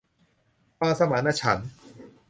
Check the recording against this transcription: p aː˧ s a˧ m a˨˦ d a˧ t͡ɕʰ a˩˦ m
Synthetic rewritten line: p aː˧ s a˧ m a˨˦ n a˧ t͡ɕʰ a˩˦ n